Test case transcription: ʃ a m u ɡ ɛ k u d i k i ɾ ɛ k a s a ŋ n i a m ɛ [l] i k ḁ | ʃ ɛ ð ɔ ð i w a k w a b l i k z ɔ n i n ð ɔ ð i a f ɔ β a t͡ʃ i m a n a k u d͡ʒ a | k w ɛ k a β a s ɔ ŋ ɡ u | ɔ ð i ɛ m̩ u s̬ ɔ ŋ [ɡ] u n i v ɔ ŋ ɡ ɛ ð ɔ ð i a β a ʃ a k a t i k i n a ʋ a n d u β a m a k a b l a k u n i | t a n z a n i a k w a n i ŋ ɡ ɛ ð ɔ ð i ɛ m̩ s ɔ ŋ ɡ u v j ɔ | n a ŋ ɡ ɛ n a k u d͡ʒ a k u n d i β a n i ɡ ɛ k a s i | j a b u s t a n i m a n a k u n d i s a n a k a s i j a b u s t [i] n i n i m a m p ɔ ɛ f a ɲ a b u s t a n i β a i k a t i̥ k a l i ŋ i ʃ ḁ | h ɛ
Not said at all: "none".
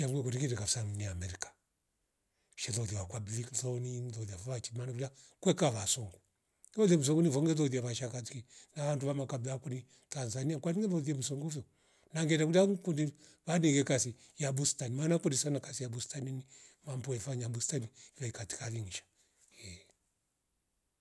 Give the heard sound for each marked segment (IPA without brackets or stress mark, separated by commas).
ɾ, ɡ, a